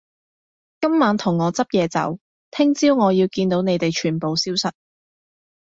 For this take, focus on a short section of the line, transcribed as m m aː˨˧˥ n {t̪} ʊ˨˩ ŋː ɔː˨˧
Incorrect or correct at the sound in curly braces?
incorrect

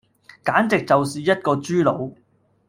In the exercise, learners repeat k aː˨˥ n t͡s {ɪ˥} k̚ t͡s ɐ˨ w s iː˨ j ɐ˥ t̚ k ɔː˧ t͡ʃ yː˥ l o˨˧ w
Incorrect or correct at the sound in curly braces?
incorrect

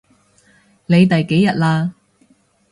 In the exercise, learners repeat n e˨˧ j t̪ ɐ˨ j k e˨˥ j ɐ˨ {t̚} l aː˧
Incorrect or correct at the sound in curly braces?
correct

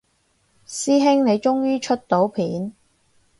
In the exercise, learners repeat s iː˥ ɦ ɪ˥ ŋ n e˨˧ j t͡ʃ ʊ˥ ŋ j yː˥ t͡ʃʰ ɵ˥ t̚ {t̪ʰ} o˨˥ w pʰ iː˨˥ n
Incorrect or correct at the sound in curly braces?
incorrect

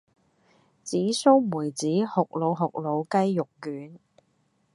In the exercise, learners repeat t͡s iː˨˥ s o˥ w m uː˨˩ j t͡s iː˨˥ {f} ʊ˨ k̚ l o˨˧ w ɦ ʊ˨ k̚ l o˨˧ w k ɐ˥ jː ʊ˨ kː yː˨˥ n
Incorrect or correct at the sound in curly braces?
incorrect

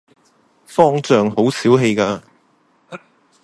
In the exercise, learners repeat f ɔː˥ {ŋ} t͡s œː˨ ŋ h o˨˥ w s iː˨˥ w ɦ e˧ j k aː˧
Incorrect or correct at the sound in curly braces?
correct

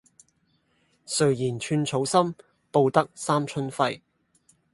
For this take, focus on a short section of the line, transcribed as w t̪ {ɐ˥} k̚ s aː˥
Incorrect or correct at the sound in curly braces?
correct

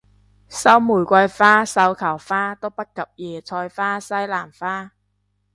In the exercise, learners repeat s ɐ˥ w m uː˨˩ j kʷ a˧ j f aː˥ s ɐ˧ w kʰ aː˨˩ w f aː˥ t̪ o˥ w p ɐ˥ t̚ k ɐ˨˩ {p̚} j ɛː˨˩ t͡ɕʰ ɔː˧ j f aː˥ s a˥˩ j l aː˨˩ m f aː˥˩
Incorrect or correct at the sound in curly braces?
correct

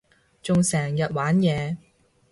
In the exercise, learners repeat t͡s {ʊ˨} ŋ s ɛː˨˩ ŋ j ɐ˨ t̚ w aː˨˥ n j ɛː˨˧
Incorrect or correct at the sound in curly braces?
correct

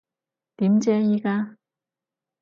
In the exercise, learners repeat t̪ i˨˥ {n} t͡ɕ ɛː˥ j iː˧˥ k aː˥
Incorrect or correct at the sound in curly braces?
incorrect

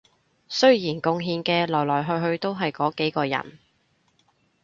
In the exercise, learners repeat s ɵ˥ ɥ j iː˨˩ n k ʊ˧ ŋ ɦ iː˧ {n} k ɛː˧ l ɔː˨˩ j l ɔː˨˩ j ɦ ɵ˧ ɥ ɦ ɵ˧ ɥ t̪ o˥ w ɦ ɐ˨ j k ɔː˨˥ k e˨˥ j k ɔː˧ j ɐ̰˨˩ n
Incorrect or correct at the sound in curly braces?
correct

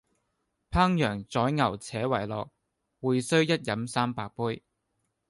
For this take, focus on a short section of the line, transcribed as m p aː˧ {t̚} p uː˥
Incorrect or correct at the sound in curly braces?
incorrect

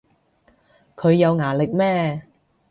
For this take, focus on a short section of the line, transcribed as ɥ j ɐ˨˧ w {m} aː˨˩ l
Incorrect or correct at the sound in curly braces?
incorrect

